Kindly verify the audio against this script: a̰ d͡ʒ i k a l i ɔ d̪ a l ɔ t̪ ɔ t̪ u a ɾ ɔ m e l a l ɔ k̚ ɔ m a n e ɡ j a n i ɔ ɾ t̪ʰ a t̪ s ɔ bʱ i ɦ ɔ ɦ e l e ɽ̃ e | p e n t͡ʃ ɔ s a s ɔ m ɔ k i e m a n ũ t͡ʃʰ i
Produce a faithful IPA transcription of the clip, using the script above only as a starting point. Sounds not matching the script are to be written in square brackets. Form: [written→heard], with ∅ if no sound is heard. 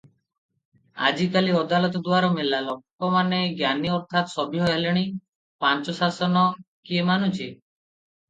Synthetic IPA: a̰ d͡ʒ i k a l i ɔ d̪ a l ɔ t̪ ɔ [t̪→d̪] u a ɾ ɔ m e l a l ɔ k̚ ɔ m a n e ɡ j a n i ɔ ɾ t̪ʰ a t̪ s ɔ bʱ i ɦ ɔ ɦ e l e ɽ̃ [e→i] | p [e→a] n t͡ʃ ɔ s a s ɔ [m→n] ɔ k i e m a n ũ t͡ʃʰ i